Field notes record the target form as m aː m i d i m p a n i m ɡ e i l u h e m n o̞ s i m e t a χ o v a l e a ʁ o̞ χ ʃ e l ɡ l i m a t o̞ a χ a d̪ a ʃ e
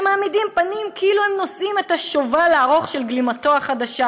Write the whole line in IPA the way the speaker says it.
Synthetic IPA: m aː m i d i m p a n i m k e i l u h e m n o̞ s i m e t a ʃ o v a l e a ʁ o̞ χ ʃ e l ɡ l i m a t o̞ a χ a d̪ a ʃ a